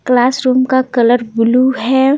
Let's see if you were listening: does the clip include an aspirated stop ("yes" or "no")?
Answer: no